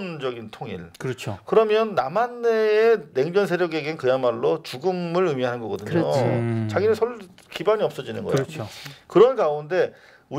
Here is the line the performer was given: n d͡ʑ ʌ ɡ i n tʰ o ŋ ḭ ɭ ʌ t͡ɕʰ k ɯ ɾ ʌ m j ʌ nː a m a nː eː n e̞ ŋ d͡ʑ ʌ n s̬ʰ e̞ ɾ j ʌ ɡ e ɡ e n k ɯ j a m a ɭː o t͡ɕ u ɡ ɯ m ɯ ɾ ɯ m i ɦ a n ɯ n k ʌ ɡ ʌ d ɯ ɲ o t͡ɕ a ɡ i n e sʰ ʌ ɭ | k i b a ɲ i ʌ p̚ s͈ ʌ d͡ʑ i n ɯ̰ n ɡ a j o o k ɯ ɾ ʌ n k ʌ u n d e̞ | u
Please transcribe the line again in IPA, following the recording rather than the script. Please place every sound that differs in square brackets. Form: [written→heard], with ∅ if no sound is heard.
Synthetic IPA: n d͡ʑ ʌ ɡ i n tʰ o ŋ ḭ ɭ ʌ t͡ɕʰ k ɯ ɾ ʌ m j ʌ nː a m a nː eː n e̞ ŋ d͡ʑ ʌ n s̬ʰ e̞ ɾ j ʌ ɡ e ɡ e n k ɯ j a m a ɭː o t͡ɕ u ɡ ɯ m ɯ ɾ ɯ m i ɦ a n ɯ n [k→ɡ] ʌ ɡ ʌ d ɯ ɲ o t͡ɕ a ɡ i n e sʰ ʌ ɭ | k i b a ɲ i ʌ p̚ s͈ ʌ d͡ʑ i n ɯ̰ n ɡ [a→ʌ] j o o k ɯ ɾ ʌ n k [ʌ→a] u n d e̞ | u